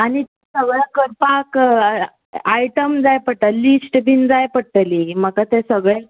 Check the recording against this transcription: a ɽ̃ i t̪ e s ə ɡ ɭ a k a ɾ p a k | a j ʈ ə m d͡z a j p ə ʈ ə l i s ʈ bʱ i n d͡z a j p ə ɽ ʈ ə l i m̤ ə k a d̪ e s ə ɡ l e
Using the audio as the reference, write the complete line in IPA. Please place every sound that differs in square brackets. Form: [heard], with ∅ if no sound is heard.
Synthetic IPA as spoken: a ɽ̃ i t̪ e s ə ɡ ɭ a k [ə] ɾ p a k | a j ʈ ə m d͡z a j p ə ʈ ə l i s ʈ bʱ i n d͡z a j p ə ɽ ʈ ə l i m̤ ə k a [t̪] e s ə ɡ [ɭ] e